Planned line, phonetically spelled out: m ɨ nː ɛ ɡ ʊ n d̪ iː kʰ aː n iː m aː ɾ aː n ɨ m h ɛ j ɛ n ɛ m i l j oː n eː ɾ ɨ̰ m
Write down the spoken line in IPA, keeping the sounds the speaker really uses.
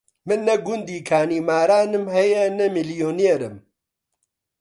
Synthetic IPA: m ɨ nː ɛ ɡ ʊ n d̪ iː kʰ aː n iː m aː ɾ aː n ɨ m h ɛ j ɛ n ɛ m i l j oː n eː ɾ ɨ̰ m